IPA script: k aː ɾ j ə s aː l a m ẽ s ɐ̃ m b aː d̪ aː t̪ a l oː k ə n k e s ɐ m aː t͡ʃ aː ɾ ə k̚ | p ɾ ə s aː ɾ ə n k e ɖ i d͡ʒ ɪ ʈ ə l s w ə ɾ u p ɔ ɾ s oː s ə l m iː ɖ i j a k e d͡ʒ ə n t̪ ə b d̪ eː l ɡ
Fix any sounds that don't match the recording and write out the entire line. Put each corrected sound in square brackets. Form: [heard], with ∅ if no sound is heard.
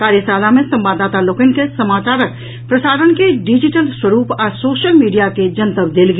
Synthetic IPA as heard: k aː ɾ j ə s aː l a m ẽ s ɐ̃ m b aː d̪ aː t̪ a l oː k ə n k e s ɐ m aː t͡ʃ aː ɾ ə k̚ | p ɾ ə s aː ɾ ə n k e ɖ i d͡ʒ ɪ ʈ ə l s w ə ɾ [uː] p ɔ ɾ s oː [ʃ] ə l m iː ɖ i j a k e d͡ʒ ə n t̪ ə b d̪ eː l ɡ